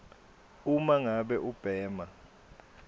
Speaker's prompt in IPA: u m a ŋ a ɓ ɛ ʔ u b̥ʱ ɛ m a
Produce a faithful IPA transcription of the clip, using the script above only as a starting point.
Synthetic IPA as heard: u m a ŋ a ɓ ɛ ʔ u b̥ʱ ɛː m a